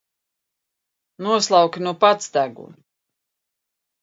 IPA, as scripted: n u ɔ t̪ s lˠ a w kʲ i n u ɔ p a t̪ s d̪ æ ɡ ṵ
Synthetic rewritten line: n u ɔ s lˠ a w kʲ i n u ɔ p a t̪ s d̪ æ ɡ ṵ